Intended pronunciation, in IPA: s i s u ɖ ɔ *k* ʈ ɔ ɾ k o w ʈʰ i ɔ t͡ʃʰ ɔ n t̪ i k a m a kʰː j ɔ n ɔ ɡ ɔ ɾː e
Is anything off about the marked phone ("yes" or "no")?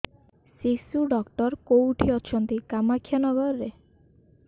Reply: no